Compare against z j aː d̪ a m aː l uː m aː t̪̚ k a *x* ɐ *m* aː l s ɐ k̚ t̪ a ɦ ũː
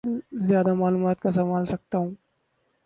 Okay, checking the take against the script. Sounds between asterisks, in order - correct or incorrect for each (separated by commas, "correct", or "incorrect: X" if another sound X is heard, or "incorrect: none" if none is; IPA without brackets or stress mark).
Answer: incorrect: s, correct